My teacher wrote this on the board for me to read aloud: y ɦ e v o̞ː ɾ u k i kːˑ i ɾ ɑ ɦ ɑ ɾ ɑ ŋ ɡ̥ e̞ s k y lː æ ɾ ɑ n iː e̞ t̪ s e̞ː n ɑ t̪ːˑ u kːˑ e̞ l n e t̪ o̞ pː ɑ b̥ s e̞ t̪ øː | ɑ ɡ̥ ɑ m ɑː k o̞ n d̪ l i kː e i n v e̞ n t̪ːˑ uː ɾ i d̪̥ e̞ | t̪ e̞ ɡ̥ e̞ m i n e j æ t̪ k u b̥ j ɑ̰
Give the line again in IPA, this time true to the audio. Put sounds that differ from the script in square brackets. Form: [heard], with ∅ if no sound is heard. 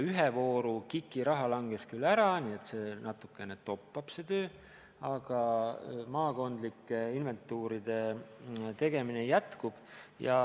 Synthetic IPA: y ɦ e v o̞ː ɾ u k i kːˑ i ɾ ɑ ɦ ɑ [l] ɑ ŋ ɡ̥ e̞ s k y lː æ ɾ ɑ n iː e̞ t̪ s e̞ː n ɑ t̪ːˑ u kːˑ e̞ [∅] n e t̪ o̞ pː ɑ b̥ s e̞ t̪ øː | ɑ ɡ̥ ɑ m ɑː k o̞ n d̪ l i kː e i n v e̞ n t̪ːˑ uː ɾ i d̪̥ e̞ | t̪ e̞ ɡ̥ e̞ m i n e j æ t̪ k u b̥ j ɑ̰

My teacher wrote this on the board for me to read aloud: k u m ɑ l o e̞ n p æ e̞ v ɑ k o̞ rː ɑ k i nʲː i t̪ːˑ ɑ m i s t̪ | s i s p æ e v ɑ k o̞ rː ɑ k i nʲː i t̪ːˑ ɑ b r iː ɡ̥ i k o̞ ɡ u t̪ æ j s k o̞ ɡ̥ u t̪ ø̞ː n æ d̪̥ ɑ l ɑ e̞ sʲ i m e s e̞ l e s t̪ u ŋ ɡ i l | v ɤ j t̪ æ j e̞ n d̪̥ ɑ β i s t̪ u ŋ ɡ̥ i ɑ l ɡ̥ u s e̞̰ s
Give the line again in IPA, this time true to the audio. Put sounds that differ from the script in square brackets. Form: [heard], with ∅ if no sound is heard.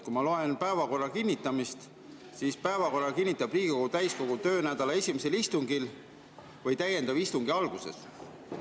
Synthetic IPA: k u m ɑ l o e̞ n p æ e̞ v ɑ k o̞ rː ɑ k i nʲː i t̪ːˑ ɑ m i s t̪ | s i s p æ e v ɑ k o̞ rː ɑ k i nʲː i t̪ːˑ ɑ b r iː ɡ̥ i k o̞ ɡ u t̪ æ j s k o̞ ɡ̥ u t̪ ø̞ː n æ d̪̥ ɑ l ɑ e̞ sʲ i m e s e̞ l [i] s t̪ u ŋ ɡ i l | v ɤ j t̪ æ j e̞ n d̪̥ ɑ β i s t̪ u ŋ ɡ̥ i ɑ l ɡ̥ u s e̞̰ s

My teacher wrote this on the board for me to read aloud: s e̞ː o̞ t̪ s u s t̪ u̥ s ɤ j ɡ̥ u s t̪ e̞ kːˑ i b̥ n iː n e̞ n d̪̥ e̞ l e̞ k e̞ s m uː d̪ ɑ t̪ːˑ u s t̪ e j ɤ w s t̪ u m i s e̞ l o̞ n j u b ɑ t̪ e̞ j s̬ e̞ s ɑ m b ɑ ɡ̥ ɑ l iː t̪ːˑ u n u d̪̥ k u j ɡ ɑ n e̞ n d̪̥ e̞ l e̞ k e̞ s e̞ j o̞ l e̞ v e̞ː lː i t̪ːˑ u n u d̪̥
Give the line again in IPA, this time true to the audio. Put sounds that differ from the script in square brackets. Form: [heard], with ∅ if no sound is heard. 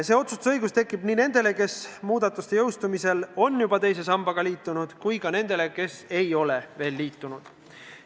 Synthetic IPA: s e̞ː o̞ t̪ s u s t̪ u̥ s ɤ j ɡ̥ u s t̪ e̞ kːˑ i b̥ n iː n e̞ n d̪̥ e̞ l e̞ k e̞ s m uː d̪ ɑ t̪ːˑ u s t̪ e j ɤ w s t̪ u m i s e̞ l o̞ n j u b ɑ t̪ e̞ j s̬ e̞ s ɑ m b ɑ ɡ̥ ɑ l iː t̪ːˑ u n u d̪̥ k u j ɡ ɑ n e̞ n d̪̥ e̞ l e̞ k e̞ s e̞ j o̞ l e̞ v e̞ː lː [iː] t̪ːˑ u n u d̪̥

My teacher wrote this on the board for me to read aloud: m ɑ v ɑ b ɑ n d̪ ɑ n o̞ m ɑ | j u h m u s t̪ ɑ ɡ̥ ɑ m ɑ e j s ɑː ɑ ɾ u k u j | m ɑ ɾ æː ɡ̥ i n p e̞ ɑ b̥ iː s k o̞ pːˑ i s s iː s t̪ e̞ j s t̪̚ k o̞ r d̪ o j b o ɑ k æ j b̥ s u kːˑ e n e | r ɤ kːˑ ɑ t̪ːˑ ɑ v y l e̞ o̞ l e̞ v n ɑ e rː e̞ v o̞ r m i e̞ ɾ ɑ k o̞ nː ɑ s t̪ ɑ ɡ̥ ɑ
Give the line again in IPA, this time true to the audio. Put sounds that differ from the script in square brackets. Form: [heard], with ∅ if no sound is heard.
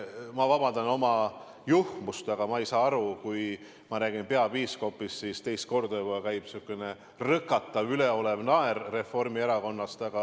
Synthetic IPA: m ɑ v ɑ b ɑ n d̪ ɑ n o̞ m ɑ | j u h m u s t̪ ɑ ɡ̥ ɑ m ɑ e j s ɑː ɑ ɾ u k u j | m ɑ ɾ æː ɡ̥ i n p e̞ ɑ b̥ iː s k o̞ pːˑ i s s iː s t̪ e̞ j s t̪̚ k o̞ r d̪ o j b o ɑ k æ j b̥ s u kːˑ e n e | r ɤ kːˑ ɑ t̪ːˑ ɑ v y l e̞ o̞ l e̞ v n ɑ e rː e̞ [f] o̞ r m i e̞ ɾ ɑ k o̞ nː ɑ s t̪ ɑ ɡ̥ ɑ

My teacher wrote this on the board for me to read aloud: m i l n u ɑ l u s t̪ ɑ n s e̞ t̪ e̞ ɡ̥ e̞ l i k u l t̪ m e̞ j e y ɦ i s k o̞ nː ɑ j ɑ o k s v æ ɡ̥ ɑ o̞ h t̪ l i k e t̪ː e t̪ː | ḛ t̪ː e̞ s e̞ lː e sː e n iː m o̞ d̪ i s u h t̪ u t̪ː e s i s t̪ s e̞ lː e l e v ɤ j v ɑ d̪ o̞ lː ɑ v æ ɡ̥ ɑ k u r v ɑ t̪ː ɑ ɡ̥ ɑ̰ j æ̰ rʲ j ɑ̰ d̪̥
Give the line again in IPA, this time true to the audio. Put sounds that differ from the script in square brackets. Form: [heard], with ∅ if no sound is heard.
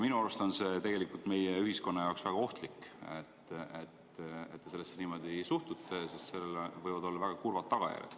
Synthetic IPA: m i [∅] n u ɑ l u s t̪ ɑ n s e̞ t̪ e̞ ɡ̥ e̞ l i k u l t̪ m e̞ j e y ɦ i s k o̞ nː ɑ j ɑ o k s v æ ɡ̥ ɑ o̞ h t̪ l i k e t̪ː e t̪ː | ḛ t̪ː e̞ s e̞ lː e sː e n iː m o̞ d̪ i s u h t̪ u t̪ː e s i s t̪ s e̞ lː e l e v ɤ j v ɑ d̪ o̞ lː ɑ v æ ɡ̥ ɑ k u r v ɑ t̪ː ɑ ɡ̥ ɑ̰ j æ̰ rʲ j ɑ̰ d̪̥

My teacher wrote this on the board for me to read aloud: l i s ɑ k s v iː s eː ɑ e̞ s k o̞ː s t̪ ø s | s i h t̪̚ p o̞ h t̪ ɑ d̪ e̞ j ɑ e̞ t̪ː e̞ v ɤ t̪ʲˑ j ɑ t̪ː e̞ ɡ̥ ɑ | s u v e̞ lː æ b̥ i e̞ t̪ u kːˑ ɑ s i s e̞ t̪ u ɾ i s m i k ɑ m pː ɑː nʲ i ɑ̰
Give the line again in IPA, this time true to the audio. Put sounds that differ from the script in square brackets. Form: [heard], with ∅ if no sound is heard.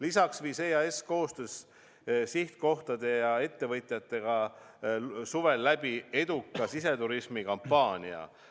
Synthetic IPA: l i s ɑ k s v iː s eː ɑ e̞ s k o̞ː s t̪ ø s | s i h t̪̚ [k] o̞ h t̪ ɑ d̪ e̞ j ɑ e̞ t̪ː e̞ v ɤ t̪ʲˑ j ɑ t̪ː e̞ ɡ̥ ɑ | s u v e̞ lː æ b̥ i e̞ [d̪] u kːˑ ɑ s i s e̞ t̪ u ɾ i s m i k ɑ m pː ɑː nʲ i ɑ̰

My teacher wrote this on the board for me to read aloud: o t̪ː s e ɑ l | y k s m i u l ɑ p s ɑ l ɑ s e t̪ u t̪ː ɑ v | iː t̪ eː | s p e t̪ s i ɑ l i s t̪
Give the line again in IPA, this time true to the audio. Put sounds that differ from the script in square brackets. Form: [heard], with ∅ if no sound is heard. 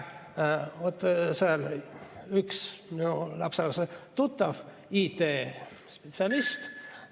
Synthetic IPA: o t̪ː s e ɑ l | y k s m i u l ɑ p s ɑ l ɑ s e t̪ u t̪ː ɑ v | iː t̪ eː | s p e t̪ s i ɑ l i s t̪

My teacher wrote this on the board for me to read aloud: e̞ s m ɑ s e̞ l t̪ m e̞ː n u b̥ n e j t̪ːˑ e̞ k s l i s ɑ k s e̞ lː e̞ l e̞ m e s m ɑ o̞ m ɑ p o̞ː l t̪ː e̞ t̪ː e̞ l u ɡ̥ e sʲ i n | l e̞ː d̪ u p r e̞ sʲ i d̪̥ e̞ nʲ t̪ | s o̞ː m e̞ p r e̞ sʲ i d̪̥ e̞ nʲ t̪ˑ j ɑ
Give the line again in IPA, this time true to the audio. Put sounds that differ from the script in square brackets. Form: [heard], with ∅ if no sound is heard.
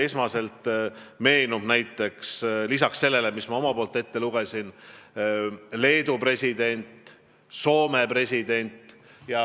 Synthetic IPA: e̞ s m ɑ s e̞ l t̪ m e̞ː n u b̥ n [æ] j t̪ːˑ e̞ k s l i s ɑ k s e̞ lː e̞ l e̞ m [i] s m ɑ o̞ m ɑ p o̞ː l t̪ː e̞ t̪ː e̞ l u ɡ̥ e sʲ i n | l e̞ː d̪ u p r e̞ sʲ i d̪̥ e̞ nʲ t̪ | s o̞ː m e̞ p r e̞ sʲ i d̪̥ e̞ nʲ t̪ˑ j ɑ

